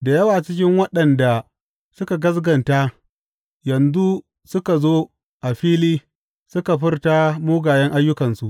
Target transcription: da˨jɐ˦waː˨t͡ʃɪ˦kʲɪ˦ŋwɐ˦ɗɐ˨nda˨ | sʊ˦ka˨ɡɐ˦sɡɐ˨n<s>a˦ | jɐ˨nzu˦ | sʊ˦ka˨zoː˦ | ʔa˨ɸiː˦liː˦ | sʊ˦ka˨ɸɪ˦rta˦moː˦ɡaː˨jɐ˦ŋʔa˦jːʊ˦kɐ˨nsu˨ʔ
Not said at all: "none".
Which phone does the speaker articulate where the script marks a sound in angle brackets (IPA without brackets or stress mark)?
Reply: t